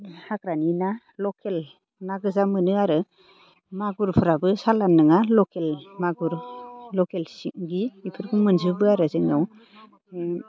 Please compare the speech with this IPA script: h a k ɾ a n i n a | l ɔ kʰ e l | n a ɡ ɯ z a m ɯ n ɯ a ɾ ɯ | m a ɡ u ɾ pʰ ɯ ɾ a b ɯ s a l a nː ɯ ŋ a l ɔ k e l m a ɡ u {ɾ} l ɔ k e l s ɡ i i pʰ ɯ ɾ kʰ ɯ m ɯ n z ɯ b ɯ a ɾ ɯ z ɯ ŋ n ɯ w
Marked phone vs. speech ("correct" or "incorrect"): correct